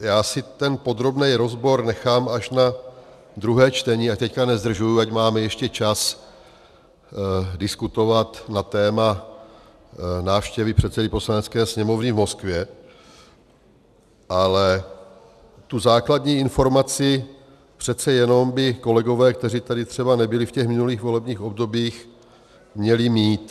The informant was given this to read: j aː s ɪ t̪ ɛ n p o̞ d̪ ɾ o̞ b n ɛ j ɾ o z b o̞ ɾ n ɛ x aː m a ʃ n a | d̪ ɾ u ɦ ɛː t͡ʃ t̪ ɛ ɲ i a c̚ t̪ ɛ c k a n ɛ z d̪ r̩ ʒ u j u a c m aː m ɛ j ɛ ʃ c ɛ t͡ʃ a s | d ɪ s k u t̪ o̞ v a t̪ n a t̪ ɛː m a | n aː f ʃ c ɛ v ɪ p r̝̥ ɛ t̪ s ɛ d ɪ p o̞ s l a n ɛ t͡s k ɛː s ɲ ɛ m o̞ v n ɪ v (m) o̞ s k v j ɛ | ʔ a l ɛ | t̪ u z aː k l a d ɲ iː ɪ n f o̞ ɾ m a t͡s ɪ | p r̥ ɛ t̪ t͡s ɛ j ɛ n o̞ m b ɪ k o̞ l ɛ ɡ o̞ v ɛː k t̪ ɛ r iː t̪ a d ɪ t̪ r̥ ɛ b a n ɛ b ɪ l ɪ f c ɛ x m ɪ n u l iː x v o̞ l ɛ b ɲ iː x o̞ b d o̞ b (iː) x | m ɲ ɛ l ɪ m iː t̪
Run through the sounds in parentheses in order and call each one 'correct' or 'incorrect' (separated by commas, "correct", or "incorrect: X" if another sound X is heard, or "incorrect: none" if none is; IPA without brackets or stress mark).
correct, correct